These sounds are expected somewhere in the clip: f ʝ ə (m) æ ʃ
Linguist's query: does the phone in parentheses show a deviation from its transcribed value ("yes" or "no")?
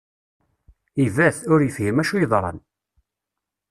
no